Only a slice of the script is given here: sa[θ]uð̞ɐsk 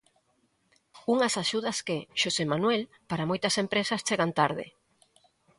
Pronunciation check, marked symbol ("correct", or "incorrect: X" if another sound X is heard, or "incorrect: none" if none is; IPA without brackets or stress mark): incorrect: ʃ